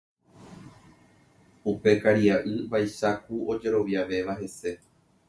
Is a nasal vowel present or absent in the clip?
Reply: absent